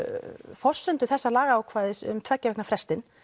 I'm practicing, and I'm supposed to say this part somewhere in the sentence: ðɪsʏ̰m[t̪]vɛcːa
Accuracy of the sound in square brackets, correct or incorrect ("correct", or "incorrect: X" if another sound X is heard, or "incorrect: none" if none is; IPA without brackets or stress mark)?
incorrect: t̪ʰ